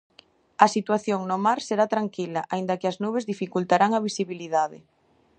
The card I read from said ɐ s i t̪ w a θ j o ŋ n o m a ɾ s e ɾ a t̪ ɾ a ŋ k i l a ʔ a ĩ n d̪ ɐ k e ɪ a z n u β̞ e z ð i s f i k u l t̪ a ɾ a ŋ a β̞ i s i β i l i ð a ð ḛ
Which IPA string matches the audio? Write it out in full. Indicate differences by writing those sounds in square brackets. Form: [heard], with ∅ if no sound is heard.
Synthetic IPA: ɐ s i t̪ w a θ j o ŋ n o m a ɾ s e ɾ a t̪ ɾ a ŋ k i l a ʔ a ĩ n d̪ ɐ k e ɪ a z n u β̞ e z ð i [∅] f i k u l t̪ a ɾ a ŋ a β̞ i s i β i l i ð a ð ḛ